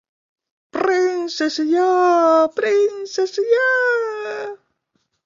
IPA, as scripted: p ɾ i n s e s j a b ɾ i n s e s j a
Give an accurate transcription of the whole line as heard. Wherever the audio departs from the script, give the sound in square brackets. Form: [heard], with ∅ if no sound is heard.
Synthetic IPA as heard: p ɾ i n s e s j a [p] ɾ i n s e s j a